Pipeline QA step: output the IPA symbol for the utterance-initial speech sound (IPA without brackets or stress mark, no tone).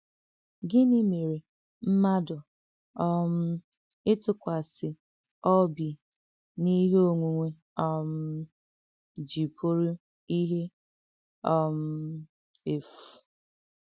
ɡ